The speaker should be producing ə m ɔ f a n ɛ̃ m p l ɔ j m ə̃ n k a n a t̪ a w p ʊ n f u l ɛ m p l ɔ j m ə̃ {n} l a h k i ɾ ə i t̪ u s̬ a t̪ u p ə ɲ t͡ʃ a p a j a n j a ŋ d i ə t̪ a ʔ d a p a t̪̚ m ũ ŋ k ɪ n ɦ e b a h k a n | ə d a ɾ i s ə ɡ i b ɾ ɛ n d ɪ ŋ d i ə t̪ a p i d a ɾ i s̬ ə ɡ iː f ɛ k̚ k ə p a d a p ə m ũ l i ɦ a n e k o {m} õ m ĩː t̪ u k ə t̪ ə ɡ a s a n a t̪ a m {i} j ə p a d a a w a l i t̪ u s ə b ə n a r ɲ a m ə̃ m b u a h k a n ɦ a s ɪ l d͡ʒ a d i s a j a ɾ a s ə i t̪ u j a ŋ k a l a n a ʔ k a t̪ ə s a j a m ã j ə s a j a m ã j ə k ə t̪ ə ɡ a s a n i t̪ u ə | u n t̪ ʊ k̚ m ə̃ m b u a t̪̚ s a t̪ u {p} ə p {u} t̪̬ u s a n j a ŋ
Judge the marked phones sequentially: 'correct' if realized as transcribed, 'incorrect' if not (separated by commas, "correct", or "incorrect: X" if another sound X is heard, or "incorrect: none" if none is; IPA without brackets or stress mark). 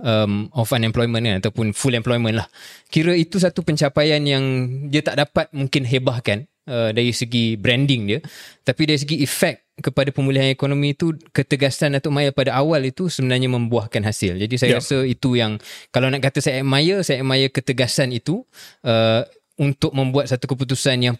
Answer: correct, incorrect: n, incorrect: a, incorrect: k, correct